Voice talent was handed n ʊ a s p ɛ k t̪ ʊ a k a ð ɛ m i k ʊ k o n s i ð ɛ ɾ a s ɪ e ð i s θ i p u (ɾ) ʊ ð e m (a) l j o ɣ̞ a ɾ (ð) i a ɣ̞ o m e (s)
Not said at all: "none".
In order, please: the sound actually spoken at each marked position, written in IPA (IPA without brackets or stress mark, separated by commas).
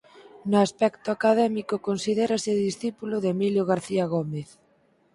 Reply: l, i, θ, θ